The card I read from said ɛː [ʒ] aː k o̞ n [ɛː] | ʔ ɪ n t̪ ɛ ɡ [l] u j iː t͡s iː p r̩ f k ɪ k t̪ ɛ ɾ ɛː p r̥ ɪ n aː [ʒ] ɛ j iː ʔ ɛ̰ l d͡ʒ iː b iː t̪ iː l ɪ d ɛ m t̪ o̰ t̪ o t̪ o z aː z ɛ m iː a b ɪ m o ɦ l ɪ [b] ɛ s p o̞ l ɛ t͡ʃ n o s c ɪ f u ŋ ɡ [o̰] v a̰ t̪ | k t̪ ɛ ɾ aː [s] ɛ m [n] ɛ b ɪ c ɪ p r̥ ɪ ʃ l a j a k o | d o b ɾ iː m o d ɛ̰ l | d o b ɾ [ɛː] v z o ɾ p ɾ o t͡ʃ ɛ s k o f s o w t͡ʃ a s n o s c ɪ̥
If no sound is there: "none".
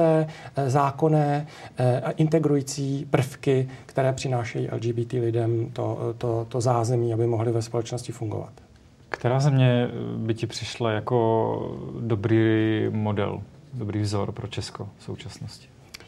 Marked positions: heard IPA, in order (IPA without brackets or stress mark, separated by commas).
z, ɛː, ɾ, ʃ, v, o̰, z, ɲ, iː